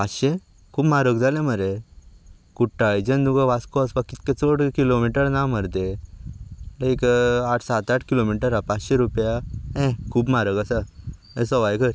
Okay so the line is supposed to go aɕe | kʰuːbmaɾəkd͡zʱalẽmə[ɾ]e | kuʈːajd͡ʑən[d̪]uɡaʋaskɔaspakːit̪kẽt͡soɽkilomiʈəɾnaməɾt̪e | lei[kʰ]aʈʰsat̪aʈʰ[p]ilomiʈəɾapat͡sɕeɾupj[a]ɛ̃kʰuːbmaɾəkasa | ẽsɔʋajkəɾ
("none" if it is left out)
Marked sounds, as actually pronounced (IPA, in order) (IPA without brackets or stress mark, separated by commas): ɾ, d̪, k, k, a